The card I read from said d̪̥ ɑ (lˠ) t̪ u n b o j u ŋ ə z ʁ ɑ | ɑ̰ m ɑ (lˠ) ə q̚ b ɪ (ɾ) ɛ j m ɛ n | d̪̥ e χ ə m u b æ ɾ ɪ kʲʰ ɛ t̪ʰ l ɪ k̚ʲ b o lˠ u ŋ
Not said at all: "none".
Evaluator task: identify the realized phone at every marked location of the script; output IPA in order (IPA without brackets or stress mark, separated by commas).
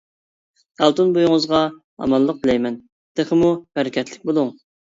lˠ, lˠː, l